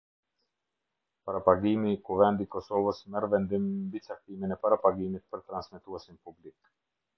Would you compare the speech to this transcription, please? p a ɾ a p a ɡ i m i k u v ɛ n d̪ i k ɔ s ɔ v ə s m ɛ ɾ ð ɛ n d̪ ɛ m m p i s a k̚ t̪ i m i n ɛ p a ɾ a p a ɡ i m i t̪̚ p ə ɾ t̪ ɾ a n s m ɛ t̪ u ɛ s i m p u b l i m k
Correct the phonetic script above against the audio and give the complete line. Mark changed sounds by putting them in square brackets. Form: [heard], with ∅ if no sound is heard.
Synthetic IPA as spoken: p a ɾ a p a ɡ i m i k u v ɛ n d̪ i k ɔ s ɔ v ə s m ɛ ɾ [v] ɛ n d̪ [i] m m [b] i [t͡s] a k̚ t̪ i m i n ɛ p a ɾ a p a ɡ i m i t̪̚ p ə ɾ t̪ ɾ a n s m ɛ t̪ u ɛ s i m p u b l i [∅] k